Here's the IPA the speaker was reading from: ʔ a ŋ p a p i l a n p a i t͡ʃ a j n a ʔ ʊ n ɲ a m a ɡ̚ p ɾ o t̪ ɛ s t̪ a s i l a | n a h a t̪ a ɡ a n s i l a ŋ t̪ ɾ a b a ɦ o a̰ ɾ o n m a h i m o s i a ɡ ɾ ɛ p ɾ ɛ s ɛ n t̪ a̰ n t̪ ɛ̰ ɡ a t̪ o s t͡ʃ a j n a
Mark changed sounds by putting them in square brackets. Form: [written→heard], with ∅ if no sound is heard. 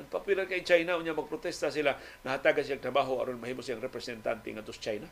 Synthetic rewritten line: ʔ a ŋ p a p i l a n [p→k] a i t͡ʃ a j n a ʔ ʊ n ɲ a m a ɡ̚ p ɾ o t̪ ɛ s t̪ a s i l a | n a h a t̪ a ɡ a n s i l a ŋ t̪ ɾ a b a ɦ o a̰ ɾ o n m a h i m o s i a [ɡ→ŋ] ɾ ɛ p ɾ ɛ s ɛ n t̪ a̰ n t̪ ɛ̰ [ɡ→ŋ] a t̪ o s t͡ʃ a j n a